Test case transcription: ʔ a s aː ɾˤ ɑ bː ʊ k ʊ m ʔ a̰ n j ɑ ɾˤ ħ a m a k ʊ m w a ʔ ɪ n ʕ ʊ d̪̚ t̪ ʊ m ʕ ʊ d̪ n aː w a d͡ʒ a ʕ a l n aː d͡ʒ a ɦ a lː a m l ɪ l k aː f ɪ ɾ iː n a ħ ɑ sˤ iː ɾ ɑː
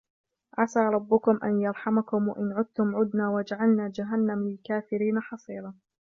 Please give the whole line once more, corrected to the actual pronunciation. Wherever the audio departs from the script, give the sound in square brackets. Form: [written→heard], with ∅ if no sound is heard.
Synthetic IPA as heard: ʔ a s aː ɾˤ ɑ bː ʊ k ʊ m ʔ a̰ n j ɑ ɾˤ ħ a m a k ʊ m w a ʔ ɪ n ʕ ʊ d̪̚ t̪ ʊ m ʕ ʊ d̪ n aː w a d͡ʒ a ʕ a l n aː d͡ʒ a ɦ a lː a m l ɪ l k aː f ɪ ɾ iː n a ħ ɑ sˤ iː ɾ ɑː